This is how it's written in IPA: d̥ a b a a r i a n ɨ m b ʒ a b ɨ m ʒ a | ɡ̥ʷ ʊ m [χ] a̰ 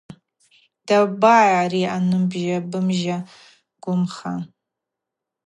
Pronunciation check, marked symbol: correct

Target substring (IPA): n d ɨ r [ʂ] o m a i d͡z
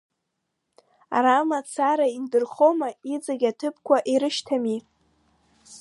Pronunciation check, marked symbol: incorrect: χ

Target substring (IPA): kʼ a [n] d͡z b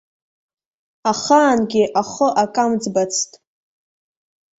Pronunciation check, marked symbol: incorrect: m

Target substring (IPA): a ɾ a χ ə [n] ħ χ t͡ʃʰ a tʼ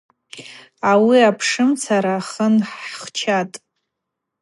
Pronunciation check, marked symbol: correct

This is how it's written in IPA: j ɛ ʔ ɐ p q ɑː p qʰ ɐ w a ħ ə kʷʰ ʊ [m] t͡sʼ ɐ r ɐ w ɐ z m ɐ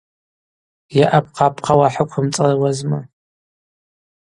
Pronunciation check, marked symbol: correct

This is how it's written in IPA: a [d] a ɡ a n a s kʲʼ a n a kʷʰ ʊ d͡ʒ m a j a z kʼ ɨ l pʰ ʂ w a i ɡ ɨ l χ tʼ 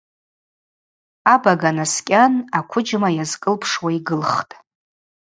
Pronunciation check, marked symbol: incorrect: b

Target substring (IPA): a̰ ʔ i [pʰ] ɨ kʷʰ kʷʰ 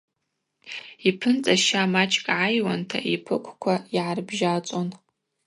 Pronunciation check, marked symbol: correct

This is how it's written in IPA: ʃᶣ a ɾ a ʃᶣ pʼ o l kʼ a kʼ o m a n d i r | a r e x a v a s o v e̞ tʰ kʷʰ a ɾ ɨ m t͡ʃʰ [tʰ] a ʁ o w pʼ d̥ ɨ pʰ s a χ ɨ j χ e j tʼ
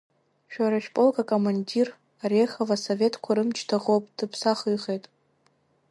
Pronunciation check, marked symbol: correct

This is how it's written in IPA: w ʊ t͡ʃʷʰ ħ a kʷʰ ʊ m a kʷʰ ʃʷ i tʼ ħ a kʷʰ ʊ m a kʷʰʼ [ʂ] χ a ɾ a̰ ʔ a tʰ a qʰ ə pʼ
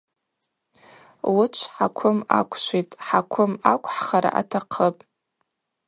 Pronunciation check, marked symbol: incorrect: ħ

